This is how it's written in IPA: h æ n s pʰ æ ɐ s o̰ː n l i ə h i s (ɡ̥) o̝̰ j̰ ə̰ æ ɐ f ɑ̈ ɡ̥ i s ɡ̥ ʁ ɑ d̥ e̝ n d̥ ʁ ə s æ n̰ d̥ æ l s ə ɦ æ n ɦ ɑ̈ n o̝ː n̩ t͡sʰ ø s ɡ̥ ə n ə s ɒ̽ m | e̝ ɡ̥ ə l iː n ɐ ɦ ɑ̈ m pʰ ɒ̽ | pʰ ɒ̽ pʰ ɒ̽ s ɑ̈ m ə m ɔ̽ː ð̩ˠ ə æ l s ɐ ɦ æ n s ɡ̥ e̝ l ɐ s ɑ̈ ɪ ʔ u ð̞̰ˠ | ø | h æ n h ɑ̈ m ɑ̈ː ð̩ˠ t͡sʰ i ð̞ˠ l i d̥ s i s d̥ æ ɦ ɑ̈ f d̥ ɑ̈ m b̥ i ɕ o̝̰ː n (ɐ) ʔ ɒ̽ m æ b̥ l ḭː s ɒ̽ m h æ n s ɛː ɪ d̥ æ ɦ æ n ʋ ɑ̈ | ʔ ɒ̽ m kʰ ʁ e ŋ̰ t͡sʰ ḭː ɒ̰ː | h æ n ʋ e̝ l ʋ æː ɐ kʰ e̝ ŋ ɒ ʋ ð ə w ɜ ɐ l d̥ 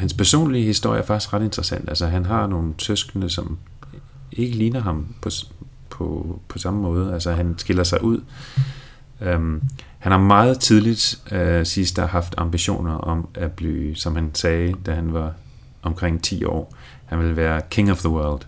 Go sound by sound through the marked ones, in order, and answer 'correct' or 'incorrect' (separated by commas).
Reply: incorrect, correct